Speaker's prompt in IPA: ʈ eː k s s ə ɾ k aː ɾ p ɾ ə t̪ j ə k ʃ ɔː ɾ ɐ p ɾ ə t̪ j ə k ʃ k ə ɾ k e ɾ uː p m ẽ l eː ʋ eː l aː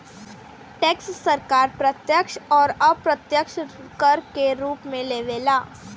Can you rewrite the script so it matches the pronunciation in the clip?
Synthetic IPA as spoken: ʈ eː k s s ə ɾ k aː ɾ p ɾ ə t̪ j ə k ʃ ɔː ɾ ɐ p ɾ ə t̪ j ə k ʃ k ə ɾ k e ɾ uː p m ẽ l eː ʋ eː l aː